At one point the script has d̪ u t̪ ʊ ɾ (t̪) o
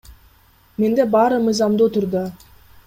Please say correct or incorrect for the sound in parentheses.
incorrect